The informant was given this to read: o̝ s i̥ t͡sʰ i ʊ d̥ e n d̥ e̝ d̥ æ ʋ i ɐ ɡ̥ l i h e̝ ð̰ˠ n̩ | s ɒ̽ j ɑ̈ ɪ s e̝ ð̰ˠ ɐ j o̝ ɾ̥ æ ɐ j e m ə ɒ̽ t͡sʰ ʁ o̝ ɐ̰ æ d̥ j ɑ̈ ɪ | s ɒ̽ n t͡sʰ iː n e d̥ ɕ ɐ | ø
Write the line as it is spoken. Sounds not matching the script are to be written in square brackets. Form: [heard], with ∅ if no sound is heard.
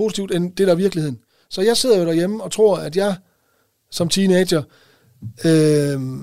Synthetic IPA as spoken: o̝ s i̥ t͡sʰ i ʊ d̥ e n d̥ e̝ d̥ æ ʋ i ɐ ɡ̥ l i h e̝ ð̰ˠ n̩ | s ɒ̽ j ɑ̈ ɪ s e̝ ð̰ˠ ɐ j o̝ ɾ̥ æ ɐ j e m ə ɒ̽ t͡sʰ ʁ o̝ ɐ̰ æ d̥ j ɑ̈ ɪ | s ɒ̽ [m] t͡sʰ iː n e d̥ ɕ ɐ | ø